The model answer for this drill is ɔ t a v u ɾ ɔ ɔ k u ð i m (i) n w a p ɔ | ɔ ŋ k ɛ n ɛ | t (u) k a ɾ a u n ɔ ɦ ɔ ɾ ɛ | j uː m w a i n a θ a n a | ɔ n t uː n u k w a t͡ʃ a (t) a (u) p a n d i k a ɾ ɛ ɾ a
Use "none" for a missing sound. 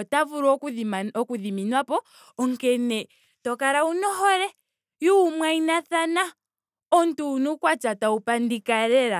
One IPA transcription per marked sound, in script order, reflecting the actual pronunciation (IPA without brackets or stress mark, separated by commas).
i, ɔ, t, u